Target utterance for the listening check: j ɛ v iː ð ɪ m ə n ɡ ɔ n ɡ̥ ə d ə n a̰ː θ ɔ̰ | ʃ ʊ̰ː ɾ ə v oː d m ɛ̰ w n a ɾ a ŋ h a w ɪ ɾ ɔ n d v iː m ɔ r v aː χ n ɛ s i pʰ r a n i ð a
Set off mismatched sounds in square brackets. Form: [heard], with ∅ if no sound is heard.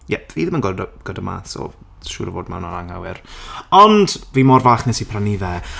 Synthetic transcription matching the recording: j ɛ v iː ð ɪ m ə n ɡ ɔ [d] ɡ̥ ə d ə [m] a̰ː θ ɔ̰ | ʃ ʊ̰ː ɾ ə v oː d m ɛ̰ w n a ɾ a ŋ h a w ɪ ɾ ɔ n d v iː m ɔ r v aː χ n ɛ s i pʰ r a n i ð [ɛ]